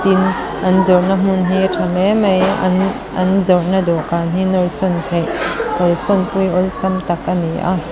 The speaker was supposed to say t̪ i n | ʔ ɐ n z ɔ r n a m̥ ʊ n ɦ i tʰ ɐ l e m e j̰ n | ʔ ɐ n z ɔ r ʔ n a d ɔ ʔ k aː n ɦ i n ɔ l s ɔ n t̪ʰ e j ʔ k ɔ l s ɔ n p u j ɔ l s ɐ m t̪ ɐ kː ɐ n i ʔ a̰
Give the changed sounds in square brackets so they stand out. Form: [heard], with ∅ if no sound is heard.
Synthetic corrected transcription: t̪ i n | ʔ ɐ n z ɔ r n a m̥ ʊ n ɦ i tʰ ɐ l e m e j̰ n | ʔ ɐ n z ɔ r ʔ n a d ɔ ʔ k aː n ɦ i n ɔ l s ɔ n t̪ʰ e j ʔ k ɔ l s ɔ n p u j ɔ l s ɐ m t̪ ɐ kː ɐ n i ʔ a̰